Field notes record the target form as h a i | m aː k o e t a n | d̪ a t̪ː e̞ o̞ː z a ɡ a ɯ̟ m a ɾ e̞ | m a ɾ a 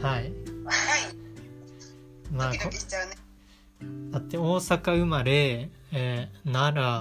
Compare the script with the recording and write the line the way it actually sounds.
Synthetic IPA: h a i | m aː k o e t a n | d̪ a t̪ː e̞ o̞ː s a k a ɯ̟ m a ɾ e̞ | n a ɾ a